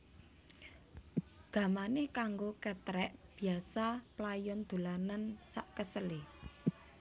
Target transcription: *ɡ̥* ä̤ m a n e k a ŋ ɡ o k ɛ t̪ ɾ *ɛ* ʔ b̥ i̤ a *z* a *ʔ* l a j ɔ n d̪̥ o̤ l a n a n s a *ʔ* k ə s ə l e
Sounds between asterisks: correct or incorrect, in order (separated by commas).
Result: correct, correct, incorrect, incorrect, correct